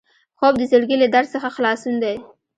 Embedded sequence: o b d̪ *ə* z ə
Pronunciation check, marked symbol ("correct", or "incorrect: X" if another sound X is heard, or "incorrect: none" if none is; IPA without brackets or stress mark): correct